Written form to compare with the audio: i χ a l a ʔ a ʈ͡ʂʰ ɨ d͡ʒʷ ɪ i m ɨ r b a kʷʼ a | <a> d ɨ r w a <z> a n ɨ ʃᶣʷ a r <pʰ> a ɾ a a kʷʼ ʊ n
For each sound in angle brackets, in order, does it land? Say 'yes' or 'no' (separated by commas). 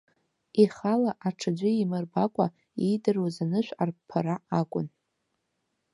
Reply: no, yes, yes